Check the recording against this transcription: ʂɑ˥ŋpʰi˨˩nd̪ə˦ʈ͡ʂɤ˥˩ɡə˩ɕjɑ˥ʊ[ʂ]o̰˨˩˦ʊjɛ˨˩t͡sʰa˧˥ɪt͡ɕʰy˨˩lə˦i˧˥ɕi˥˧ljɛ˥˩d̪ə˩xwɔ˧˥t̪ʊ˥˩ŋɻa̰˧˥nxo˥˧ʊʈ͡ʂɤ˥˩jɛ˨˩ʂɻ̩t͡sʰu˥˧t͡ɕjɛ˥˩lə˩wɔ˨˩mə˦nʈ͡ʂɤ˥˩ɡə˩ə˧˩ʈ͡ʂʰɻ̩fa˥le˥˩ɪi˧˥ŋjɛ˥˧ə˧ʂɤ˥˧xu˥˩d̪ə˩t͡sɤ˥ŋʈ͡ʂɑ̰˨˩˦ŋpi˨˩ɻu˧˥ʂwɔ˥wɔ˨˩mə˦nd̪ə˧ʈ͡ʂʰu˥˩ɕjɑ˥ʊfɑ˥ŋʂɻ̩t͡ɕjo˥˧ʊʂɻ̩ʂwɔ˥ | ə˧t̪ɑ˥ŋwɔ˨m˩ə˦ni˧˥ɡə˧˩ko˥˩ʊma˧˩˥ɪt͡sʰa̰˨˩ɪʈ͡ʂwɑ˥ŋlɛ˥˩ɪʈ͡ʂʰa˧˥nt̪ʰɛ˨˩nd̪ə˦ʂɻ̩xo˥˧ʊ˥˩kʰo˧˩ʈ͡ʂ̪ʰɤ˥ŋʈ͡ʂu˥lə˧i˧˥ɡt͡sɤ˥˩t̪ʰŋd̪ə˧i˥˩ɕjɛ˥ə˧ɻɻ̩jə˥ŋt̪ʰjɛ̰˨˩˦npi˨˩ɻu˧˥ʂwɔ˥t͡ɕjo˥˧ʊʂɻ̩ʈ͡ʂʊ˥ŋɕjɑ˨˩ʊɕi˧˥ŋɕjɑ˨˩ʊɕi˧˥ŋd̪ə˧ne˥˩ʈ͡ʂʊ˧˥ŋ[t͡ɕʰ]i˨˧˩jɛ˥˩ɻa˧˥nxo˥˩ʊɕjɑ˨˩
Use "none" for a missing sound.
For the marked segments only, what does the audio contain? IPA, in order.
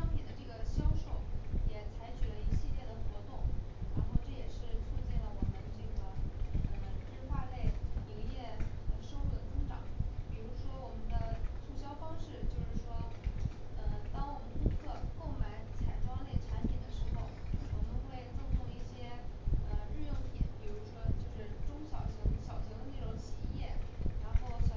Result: ʂ, t͡ɕʰ

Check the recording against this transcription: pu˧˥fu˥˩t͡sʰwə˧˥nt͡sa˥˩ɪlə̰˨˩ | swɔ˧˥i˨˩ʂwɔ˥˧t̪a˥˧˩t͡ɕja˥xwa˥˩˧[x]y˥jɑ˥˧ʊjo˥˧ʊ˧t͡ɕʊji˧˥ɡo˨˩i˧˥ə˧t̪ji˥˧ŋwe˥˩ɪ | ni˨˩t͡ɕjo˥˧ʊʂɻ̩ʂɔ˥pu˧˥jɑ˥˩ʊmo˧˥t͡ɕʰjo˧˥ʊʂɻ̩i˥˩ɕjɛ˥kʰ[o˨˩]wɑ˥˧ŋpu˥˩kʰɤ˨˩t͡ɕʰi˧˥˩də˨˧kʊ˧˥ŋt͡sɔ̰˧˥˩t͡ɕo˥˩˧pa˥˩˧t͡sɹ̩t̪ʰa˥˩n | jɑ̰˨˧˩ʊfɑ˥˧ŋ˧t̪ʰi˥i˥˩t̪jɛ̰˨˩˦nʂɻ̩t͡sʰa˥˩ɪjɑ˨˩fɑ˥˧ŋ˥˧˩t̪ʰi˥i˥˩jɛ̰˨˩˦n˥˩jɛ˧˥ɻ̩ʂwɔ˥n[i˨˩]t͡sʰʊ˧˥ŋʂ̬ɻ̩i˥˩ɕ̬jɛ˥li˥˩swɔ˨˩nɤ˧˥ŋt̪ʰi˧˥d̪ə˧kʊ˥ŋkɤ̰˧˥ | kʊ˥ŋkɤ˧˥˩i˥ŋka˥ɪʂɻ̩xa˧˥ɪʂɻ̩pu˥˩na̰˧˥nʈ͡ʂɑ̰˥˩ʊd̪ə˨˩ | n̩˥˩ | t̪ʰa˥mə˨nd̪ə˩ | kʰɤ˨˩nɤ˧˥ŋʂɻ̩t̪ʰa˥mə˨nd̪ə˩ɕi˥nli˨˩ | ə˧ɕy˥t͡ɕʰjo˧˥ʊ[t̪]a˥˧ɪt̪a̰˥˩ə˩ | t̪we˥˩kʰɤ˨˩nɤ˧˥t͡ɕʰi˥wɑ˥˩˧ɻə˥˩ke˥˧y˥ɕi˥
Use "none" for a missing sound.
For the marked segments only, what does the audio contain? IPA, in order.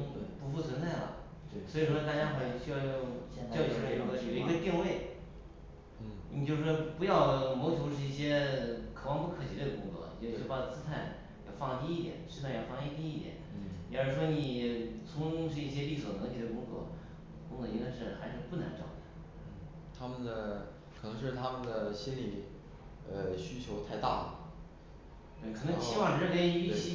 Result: ɕ, ɤ˨˩, i˨˩, t̪ʰ

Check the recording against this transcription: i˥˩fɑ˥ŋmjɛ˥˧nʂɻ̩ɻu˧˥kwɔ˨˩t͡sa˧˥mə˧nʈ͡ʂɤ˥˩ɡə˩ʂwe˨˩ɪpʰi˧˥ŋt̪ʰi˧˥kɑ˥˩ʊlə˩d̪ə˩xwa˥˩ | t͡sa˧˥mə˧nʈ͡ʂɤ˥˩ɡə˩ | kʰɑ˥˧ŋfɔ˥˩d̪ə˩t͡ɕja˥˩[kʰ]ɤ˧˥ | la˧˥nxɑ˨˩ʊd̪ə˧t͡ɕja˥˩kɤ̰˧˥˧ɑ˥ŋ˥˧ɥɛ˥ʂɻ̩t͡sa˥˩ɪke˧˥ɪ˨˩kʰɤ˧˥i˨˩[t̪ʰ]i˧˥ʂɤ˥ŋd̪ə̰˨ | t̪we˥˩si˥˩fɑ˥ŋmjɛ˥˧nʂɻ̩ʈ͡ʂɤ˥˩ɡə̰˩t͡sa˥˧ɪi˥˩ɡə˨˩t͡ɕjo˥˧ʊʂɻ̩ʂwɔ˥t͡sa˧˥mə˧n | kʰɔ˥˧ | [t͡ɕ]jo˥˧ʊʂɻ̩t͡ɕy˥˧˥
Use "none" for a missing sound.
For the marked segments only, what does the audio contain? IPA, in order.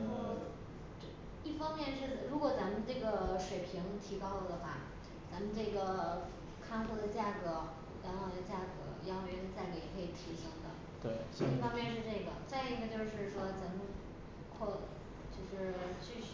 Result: k, t̪ʰ, t͡ɕ

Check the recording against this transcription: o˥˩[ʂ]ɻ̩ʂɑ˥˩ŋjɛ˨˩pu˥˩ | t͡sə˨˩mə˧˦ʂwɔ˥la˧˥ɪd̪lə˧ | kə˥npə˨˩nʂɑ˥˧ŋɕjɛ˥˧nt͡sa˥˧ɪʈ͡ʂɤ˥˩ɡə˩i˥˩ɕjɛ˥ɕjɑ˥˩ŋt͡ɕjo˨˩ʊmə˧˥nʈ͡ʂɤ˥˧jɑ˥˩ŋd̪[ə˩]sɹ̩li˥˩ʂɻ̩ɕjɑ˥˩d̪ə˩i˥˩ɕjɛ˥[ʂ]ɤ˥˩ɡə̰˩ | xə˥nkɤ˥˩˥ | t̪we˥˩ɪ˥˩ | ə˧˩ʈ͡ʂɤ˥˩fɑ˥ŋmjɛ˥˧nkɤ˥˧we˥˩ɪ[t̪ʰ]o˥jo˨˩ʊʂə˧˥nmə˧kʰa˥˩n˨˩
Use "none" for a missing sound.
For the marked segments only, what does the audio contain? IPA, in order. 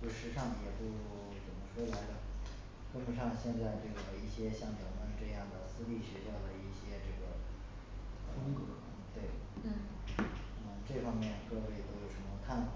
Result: ʂ, ə˩, ʈ͡ʂ, t̪

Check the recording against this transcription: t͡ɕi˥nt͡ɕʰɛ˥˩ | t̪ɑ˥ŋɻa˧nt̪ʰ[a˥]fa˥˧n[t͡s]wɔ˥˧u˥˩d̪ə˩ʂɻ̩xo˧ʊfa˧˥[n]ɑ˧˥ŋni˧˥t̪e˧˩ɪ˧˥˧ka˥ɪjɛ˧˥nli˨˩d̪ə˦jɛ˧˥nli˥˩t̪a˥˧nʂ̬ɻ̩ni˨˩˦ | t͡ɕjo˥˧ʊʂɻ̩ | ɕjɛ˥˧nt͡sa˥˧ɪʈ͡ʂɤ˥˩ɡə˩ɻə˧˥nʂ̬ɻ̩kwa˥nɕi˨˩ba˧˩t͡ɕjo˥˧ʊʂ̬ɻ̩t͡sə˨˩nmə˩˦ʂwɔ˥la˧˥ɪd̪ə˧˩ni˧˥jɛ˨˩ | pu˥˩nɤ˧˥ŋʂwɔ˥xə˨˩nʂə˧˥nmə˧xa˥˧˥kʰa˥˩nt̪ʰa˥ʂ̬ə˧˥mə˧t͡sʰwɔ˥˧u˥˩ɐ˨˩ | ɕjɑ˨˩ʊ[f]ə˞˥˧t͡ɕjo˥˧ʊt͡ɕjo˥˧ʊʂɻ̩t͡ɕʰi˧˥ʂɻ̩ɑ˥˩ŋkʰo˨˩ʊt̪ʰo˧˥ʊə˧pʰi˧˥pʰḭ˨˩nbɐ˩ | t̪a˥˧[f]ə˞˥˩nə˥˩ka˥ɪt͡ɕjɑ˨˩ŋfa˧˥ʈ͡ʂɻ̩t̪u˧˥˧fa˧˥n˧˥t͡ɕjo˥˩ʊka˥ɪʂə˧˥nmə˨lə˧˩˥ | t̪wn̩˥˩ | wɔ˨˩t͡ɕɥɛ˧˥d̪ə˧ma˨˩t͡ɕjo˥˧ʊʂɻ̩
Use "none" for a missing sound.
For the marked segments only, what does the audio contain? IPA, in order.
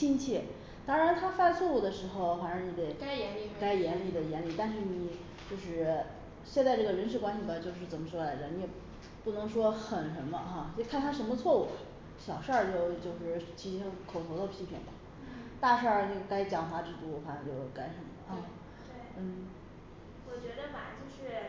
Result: a˥, t͡sʰ, n, ʂ, ʂ

